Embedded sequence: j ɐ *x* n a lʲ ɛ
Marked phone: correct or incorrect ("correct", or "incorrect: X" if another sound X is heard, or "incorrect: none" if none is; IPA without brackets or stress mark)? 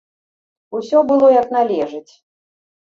incorrect: k